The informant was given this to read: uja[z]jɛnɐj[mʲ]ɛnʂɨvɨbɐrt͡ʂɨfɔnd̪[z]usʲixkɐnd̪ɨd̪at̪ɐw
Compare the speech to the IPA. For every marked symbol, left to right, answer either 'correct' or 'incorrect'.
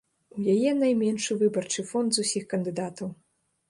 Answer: incorrect: none, correct, correct

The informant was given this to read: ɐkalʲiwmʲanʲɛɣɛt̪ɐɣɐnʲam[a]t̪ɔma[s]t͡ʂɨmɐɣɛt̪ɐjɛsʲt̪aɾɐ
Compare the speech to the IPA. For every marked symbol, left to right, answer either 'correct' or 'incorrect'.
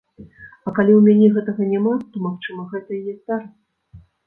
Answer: correct, incorrect: x

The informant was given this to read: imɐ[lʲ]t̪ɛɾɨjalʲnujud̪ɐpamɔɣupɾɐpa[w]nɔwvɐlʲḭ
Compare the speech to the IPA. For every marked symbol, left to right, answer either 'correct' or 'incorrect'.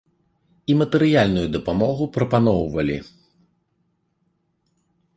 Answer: incorrect: none, incorrect: none

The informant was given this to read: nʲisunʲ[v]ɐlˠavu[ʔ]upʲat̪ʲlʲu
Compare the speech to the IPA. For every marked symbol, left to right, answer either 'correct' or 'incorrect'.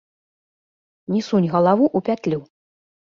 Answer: incorrect: ɣ, correct

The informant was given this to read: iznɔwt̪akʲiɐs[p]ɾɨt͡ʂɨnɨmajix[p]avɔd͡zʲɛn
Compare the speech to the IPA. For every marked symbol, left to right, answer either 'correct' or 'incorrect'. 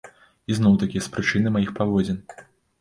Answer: correct, correct

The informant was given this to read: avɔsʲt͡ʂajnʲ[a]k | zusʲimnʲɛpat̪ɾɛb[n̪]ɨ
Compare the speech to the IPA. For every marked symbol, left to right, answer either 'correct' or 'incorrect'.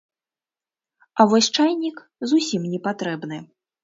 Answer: incorrect: i, correct

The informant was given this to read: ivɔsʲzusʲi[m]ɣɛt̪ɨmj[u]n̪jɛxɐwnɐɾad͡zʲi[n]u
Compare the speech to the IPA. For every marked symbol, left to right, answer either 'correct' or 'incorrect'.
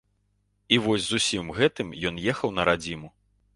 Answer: correct, incorrect: ɔ, incorrect: m

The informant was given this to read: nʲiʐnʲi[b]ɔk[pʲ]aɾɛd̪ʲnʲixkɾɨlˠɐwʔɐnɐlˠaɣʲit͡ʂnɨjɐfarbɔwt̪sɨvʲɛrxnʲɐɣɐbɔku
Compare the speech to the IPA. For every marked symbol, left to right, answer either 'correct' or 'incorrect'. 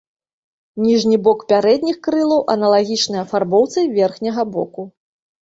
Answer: correct, correct

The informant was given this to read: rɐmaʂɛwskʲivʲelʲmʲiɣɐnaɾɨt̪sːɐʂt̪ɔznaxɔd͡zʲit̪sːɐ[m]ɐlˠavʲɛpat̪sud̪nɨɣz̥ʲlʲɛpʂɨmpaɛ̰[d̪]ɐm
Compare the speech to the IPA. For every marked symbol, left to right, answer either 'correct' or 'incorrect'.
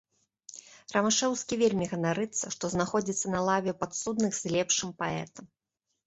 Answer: incorrect: n, incorrect: t̪

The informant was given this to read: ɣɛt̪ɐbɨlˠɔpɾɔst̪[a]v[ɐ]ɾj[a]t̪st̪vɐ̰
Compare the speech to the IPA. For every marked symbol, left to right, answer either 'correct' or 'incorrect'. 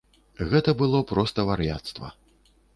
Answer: incorrect: ɐ, incorrect: a, correct

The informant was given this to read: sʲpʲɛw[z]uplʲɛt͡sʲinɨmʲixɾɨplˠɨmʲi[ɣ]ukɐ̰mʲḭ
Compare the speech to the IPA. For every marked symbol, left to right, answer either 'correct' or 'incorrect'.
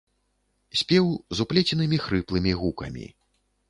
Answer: correct, correct

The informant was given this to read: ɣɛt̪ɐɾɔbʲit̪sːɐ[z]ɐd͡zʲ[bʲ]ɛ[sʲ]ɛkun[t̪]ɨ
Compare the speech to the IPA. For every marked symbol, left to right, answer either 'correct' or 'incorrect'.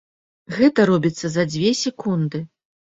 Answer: correct, incorrect: vʲ, correct, incorrect: d̪

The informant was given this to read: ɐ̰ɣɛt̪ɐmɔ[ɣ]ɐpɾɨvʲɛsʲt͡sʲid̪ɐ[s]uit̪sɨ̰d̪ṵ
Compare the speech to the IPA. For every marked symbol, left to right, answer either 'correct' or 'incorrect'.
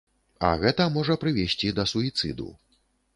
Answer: incorrect: ʐ, correct

